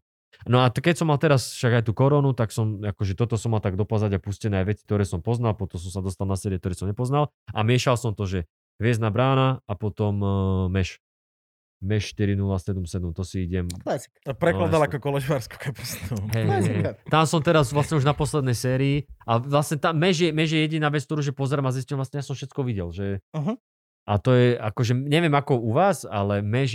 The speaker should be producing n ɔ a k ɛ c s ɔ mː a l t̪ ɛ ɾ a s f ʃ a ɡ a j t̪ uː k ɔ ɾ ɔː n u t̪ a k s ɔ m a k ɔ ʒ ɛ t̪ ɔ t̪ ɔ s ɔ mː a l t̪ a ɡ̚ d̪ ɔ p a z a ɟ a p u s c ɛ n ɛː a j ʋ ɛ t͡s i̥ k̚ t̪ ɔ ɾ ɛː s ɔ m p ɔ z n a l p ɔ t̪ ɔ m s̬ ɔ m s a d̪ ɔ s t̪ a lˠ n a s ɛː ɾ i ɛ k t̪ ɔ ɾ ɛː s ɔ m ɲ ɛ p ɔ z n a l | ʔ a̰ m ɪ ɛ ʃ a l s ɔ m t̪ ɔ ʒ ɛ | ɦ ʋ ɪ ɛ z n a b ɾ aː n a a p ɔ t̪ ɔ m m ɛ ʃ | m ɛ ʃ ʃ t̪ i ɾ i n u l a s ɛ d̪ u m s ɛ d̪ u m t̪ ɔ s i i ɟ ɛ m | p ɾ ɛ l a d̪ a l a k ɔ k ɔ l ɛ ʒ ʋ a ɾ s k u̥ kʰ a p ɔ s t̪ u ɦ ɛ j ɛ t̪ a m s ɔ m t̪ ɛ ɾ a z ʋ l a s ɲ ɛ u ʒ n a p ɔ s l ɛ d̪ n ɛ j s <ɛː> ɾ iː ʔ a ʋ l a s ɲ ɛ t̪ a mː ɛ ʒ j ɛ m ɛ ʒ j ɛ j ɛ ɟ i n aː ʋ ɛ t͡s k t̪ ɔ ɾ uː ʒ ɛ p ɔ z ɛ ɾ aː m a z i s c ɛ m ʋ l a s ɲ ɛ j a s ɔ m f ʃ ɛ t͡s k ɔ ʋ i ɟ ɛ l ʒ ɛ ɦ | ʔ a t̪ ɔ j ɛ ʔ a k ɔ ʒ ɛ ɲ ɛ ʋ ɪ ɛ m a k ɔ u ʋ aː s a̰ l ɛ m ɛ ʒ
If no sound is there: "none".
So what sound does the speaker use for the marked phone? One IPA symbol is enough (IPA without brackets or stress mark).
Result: ɛː